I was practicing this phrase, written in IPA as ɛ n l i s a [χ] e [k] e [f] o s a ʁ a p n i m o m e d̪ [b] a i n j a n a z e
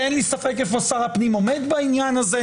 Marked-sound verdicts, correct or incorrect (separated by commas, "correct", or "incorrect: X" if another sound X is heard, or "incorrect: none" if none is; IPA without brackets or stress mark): incorrect: f, correct, correct, correct